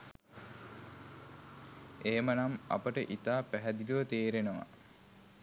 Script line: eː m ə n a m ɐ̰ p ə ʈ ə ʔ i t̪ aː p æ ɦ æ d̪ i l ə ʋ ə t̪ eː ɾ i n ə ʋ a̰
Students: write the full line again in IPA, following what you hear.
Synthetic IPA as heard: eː m ə n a m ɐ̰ p ə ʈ ə ʔ i t̪ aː p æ ɦ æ d̪ i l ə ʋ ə t̪ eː ɾ e n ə ʋ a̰